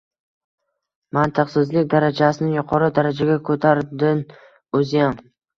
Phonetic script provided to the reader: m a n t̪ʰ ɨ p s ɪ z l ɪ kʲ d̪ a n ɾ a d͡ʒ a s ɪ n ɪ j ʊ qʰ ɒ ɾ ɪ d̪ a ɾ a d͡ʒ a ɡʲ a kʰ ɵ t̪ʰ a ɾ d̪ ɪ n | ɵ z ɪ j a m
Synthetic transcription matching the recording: m a n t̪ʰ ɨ q s ɪ z l ɪ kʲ d̪ a ɾ a d͡ʒ a s ɪ n ɪ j ʊ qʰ ɒ ɾ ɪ d̪ a ɾ a d͡ʒ a ɡʲ a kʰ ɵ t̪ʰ a ɾ d̪ ɪ n | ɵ z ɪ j a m